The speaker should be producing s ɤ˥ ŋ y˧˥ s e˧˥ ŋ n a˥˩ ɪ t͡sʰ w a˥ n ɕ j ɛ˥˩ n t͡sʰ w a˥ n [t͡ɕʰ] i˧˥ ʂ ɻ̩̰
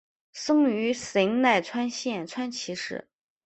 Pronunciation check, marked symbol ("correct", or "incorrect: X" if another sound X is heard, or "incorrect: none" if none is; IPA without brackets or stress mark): correct